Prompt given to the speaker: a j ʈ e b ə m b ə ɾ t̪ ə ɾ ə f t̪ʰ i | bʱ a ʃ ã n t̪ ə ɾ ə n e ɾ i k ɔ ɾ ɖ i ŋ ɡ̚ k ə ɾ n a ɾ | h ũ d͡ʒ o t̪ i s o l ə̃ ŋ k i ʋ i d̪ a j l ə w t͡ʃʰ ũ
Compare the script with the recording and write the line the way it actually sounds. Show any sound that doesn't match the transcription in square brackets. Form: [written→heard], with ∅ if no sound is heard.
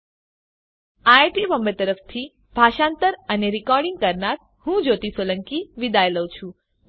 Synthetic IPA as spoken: a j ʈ [e→i] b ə m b ə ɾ t̪ ə ɾ ə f t̪ʰ i | bʱ a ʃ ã n t̪ ə ɾ ə n e ɾ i k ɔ ɾ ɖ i ŋ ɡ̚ k ə ɾ n a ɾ | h ũ d͡ʒ o t̪ i s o l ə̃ ŋ k i ʋ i d̪ a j l ə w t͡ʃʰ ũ